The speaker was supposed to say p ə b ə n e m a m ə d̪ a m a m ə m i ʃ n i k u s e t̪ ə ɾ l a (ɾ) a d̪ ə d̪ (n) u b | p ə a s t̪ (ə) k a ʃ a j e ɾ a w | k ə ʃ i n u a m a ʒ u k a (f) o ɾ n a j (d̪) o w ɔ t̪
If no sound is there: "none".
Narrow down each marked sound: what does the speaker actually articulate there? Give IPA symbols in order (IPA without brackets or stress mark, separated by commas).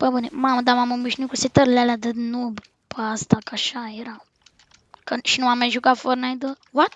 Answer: l, n, a, f, d̪